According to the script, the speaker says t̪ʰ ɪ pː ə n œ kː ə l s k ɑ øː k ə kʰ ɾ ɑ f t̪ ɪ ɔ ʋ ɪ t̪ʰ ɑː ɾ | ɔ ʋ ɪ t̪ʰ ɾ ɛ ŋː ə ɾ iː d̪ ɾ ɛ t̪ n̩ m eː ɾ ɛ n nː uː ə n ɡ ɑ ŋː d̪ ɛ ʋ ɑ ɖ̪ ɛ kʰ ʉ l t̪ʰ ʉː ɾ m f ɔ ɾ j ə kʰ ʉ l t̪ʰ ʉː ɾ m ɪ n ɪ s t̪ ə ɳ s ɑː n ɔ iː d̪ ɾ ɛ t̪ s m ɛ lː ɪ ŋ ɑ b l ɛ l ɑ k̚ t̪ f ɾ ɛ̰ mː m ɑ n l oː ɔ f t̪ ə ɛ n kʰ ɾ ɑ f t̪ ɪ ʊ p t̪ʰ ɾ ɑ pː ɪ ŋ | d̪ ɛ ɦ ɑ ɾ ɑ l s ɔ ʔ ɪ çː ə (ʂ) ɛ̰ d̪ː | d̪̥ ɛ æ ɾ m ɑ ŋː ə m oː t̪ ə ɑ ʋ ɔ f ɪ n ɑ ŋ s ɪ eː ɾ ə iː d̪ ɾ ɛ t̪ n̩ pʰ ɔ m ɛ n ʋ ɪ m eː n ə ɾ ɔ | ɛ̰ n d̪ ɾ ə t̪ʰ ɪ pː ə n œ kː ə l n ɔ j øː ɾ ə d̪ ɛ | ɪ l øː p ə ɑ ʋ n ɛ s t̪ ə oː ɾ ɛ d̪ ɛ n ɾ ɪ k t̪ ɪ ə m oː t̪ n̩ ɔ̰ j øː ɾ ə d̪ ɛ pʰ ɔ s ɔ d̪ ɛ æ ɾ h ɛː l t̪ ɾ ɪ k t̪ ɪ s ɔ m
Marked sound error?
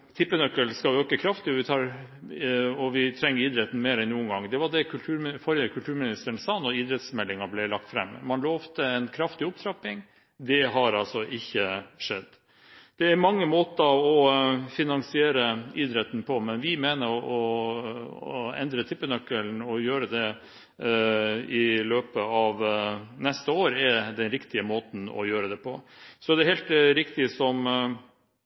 no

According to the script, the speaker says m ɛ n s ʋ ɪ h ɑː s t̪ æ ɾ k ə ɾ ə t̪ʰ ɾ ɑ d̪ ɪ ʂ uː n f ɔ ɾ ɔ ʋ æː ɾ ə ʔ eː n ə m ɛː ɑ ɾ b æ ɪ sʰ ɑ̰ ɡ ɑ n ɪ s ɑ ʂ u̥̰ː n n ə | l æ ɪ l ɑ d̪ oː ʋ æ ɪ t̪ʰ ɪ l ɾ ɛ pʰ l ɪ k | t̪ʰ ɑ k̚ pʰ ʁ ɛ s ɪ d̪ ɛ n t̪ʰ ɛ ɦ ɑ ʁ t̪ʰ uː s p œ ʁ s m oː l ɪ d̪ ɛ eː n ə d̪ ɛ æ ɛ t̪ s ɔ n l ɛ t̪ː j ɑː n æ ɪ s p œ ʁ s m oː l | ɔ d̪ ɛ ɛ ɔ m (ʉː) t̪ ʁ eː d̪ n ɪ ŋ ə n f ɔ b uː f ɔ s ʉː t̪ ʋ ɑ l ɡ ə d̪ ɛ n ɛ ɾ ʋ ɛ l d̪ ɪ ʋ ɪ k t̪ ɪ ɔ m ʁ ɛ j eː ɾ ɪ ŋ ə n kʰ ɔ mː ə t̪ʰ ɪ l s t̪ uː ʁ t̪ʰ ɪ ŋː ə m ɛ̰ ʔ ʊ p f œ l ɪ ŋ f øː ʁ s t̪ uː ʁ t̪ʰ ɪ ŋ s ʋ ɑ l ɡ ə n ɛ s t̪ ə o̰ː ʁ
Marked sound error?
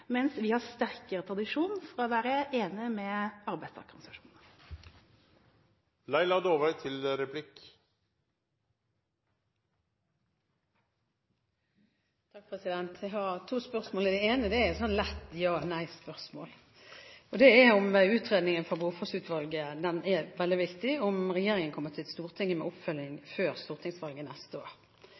no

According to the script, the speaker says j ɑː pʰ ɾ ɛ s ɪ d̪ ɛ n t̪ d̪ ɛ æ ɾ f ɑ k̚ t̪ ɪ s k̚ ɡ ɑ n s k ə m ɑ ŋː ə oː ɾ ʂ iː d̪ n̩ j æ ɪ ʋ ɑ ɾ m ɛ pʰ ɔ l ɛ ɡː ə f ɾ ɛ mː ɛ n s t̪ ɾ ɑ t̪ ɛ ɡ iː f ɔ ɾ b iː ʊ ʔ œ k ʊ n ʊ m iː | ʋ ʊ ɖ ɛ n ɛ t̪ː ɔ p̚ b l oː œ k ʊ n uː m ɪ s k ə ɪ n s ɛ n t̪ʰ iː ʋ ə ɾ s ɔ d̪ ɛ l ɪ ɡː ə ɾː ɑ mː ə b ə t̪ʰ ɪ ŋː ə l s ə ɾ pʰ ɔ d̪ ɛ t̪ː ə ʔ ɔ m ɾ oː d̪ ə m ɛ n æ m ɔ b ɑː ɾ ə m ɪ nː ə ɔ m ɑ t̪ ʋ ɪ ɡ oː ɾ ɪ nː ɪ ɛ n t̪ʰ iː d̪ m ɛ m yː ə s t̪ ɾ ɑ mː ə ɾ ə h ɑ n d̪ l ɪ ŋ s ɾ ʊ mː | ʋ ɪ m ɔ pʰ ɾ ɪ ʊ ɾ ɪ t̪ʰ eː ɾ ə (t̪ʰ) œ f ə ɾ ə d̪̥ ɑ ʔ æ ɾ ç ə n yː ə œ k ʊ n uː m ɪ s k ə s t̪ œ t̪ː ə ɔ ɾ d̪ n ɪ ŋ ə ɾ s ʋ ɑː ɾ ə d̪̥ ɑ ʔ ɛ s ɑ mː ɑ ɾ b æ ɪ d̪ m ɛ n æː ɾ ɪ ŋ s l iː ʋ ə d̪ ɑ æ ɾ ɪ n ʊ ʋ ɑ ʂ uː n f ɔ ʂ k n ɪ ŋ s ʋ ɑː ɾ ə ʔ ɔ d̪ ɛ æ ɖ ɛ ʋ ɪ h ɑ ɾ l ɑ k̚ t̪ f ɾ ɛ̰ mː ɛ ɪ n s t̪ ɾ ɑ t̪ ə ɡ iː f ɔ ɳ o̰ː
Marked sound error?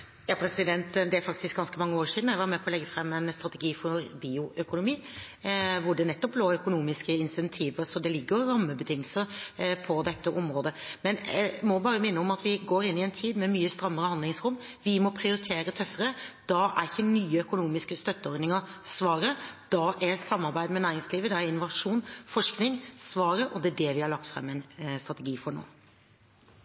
no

